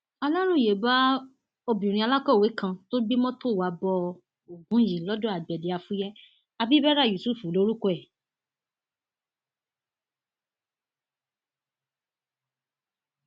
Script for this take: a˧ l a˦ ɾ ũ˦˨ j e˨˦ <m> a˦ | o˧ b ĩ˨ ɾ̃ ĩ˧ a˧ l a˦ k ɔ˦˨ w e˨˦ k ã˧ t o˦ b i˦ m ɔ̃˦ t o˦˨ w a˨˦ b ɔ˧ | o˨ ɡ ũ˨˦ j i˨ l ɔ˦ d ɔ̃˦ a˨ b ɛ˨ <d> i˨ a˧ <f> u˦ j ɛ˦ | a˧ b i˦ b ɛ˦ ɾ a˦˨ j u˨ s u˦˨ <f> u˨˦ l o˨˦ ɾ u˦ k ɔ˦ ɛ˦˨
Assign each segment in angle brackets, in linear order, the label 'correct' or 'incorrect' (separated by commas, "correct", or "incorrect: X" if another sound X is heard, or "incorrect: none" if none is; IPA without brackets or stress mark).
incorrect: b, correct, correct, correct